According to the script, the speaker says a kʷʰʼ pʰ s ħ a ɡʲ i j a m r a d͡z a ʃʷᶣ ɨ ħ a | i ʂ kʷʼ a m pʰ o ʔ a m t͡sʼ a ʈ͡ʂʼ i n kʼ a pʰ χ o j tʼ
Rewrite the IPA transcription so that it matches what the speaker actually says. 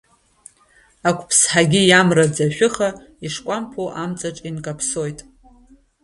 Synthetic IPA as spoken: a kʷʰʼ pʰ s ħ a ɡʲ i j a m r a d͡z a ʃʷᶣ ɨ χ a | i ʂ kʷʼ a m pʰ o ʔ a m t͡sʼ a ʈ͡ʂʼ i n kʼ a pʰ s o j tʼ